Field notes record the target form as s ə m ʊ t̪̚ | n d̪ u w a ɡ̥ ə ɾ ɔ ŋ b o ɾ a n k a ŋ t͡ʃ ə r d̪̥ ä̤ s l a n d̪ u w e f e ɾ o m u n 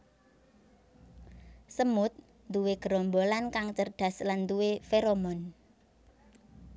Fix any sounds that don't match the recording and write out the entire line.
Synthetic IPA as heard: s ə m ʊ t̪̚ | n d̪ u w e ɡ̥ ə ɾ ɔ m b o l a n k a ŋ t͡ʃ ə r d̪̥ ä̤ s l a n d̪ u w e f e ɾ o m ɔ n